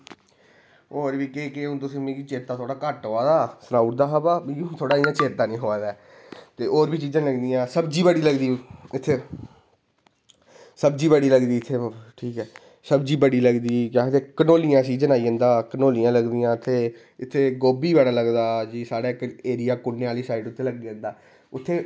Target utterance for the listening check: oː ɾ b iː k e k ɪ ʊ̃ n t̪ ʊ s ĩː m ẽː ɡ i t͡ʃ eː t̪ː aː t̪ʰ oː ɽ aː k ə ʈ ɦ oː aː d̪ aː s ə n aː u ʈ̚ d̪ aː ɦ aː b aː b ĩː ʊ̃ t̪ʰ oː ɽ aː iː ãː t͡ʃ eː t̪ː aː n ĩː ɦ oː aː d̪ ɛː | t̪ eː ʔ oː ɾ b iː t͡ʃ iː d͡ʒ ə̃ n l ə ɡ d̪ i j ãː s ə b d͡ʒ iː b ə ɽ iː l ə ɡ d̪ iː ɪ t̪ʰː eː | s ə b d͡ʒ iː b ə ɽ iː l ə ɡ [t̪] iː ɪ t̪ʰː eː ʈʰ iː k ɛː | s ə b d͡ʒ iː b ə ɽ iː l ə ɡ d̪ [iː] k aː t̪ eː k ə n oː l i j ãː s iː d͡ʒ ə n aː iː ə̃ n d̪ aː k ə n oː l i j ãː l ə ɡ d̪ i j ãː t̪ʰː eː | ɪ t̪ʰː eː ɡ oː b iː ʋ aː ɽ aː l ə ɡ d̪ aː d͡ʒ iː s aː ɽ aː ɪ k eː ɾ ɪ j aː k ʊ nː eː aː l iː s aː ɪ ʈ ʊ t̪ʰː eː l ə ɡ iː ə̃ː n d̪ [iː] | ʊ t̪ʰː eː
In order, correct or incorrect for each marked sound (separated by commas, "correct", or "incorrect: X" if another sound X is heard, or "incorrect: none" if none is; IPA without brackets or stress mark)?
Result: incorrect: d̪, correct, incorrect: aː